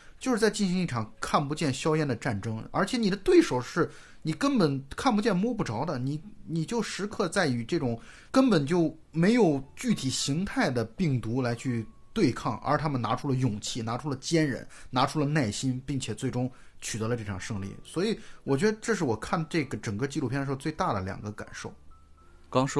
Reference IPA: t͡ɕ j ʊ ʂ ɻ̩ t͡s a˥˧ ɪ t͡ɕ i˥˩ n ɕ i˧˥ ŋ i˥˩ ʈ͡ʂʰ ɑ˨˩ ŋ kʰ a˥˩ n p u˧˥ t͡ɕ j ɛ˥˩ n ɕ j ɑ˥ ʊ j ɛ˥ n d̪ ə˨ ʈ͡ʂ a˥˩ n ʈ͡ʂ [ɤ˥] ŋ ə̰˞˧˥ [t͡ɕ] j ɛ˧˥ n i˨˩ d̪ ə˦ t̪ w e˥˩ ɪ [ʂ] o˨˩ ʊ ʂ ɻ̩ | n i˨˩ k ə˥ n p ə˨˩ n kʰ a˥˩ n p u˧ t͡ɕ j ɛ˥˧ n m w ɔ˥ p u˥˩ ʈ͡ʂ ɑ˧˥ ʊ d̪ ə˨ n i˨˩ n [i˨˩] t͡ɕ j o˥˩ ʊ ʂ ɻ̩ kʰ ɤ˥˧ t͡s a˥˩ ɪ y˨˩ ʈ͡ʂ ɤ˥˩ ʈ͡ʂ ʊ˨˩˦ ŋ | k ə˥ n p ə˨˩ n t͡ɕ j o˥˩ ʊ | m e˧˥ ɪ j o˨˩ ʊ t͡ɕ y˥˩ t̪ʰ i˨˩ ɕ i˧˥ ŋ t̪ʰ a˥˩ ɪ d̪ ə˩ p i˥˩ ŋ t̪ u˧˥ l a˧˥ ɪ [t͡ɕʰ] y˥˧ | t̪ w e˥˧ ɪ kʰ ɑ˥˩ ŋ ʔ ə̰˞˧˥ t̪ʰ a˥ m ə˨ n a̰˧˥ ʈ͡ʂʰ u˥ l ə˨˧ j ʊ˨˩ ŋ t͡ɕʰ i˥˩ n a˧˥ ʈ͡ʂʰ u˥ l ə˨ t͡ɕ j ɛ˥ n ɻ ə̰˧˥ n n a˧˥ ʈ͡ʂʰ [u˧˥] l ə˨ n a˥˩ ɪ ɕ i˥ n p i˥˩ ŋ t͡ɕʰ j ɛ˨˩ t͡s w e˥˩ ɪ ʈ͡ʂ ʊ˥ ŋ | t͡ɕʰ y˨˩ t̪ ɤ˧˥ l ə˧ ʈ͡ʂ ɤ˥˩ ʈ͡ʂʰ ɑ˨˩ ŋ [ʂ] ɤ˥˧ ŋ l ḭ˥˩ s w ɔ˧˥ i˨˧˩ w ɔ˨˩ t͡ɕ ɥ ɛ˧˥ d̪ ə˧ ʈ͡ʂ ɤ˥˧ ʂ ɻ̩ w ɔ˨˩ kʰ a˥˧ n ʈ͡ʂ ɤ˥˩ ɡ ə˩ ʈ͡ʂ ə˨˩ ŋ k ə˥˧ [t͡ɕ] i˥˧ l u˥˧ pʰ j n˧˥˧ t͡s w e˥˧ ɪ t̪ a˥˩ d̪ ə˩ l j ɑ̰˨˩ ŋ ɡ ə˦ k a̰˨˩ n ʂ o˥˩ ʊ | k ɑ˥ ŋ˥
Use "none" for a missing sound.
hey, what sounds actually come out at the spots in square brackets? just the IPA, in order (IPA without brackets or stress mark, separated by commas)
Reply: ɤ˥, t͡ɕʰ, ʂ, i˨˩, t͡ɕʰ, u˥, ʂ, t͡ɕ